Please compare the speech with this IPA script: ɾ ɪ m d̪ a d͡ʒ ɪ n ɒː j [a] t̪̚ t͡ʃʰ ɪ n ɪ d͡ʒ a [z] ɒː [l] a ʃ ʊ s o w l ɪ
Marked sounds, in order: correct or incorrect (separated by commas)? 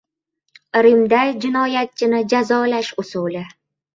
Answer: correct, correct, correct